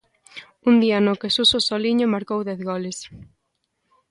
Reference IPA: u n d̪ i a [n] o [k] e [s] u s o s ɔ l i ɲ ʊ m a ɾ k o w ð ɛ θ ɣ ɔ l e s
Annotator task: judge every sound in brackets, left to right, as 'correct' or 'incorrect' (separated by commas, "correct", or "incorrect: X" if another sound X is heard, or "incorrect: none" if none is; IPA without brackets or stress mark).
correct, correct, correct